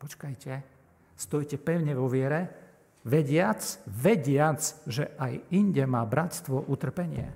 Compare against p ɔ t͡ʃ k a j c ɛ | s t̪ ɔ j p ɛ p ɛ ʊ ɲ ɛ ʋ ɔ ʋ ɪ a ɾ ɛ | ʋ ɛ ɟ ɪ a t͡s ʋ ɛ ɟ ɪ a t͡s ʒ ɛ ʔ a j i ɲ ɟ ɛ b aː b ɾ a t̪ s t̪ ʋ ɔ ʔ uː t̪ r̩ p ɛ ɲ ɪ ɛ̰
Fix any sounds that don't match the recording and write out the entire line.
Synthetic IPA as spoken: p ɔ t͡ʃ k a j c ɛ | s t̪ ɔ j c ɛ p ɛ ʊ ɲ ɛ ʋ ɔ ʋ ɪ ɛ ɾ ɛ | ʋ ɛ ɟ ɪ a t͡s ʋ ɛ ɟ ɪ a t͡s ʒ ɛ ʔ a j i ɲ ɟ ɛ m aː b ɾ a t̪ s t̪ ʋ ɔ ʔ u t̪ r̩ p ɛ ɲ ɪ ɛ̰